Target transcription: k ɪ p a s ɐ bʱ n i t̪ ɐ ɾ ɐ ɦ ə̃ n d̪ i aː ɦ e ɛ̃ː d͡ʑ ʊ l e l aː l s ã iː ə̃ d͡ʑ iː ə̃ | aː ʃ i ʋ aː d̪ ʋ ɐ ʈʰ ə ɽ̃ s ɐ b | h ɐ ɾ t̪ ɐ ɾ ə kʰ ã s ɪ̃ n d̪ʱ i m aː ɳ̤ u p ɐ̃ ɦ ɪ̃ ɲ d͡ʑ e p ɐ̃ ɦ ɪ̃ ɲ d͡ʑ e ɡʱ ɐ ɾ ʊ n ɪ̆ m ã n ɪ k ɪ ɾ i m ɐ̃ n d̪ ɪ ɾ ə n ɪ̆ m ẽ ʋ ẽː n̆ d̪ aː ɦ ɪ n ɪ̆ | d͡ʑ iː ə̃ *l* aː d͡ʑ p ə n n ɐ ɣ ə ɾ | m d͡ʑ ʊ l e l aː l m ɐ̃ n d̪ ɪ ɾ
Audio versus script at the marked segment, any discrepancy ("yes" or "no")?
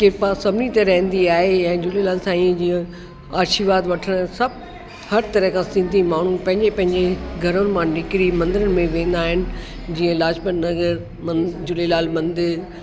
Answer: no